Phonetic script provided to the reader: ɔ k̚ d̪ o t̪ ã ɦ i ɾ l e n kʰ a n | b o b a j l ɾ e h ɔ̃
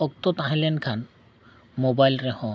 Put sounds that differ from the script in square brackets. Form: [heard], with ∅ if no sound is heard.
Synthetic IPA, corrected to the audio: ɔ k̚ [t̪] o t̪ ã ɦ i [∅] l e n kʰ a n | [m] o b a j l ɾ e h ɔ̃